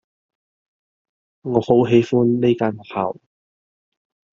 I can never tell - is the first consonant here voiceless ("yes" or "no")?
no